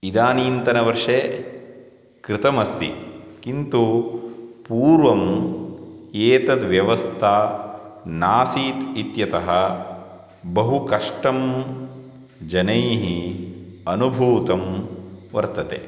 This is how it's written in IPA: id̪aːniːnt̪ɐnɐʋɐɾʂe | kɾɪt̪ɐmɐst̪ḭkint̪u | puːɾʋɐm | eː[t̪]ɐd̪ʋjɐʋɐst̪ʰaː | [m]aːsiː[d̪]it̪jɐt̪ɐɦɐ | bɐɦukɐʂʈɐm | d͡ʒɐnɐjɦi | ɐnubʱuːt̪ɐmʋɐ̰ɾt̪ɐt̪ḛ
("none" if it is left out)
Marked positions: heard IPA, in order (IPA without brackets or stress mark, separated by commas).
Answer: t̪, n, t̪